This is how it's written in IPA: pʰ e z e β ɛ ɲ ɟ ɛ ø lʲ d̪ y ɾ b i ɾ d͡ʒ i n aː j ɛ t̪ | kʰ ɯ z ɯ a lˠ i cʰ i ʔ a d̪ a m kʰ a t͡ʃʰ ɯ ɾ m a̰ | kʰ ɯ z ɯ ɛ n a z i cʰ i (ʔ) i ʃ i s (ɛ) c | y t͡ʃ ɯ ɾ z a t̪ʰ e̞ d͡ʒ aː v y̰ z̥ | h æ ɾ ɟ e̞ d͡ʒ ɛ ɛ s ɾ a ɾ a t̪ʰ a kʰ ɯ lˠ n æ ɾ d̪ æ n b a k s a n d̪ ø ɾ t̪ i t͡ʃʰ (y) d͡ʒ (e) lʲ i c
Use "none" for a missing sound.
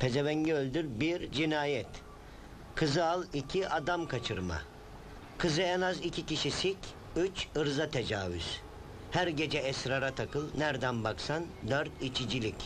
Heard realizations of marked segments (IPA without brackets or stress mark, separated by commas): c, i, i, i